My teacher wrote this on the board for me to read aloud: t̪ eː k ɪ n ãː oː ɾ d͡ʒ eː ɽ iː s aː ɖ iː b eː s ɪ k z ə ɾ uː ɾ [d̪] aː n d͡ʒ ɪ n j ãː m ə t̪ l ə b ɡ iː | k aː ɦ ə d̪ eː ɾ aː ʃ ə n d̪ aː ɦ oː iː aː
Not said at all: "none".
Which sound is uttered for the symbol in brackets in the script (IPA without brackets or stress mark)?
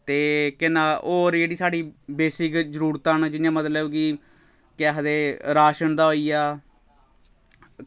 t̪